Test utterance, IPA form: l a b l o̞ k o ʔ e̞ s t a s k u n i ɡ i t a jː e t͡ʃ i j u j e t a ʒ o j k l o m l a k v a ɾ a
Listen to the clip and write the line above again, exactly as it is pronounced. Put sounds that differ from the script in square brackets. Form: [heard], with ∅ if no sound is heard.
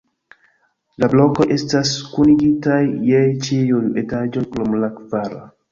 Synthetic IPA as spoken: l a b l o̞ k o ʔ e̞ s t a s k u n i ɡ i t a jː e t͡ʃ i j u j e t a [d͡ʒ] o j k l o m l a k v a ɾ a